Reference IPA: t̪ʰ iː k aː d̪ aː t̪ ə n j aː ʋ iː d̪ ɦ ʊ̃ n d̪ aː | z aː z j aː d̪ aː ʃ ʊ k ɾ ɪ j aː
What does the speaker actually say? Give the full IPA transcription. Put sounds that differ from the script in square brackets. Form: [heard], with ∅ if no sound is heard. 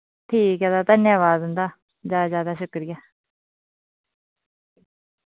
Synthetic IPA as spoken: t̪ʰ iː k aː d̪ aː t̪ ə n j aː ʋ [aː] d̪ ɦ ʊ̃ n d̪ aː | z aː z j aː d̪ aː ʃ ʊ k ɾ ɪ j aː